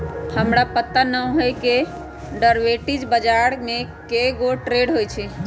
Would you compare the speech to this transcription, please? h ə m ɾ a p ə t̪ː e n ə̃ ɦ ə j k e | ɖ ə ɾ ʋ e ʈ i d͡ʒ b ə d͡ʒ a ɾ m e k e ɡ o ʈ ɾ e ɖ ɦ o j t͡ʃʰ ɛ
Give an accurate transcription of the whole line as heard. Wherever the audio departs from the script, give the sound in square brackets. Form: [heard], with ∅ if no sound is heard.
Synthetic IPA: h ə m ɾ a p ə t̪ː [a] n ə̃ ɦ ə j k e | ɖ ə ɾ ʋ e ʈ i d͡ʒ b ə d͡ʒ a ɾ m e k e ɡ o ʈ ɾ e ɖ ɦ o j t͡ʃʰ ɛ